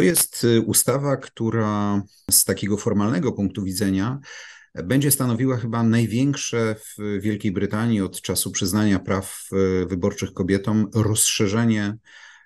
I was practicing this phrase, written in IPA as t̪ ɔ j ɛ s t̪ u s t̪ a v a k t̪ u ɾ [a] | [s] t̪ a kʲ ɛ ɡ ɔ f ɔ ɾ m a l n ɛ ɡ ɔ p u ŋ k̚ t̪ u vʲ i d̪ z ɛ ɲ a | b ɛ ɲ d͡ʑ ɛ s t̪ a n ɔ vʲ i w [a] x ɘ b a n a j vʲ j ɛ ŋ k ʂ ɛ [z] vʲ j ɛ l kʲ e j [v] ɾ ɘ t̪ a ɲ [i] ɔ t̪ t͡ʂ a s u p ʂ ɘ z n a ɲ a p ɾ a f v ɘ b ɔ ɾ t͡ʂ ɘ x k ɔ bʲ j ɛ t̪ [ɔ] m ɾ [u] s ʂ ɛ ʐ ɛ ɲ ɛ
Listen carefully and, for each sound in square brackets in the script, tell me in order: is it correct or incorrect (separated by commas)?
correct, correct, correct, incorrect, incorrect, correct, correct, incorrect